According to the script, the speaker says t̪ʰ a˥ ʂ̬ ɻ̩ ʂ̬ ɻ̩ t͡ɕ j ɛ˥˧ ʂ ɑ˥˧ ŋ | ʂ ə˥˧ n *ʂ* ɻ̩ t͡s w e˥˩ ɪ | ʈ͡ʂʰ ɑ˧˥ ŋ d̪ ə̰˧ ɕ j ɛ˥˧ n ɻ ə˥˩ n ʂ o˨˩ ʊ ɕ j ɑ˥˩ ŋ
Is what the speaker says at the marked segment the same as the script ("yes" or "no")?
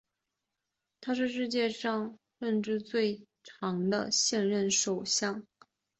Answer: no